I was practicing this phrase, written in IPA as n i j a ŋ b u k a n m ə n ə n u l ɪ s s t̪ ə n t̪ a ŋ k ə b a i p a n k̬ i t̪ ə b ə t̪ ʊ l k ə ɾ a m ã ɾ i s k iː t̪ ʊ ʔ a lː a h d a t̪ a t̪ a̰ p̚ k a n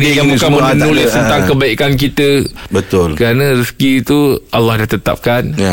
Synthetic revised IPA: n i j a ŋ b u k a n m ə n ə n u l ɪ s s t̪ ə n t̪ a ŋ k ə b a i k a n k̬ i t̪ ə b ə t̪ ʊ l k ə ɾ a n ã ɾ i s k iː t̪ u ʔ a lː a h d a t̪ ə t̪ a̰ p̚ k a n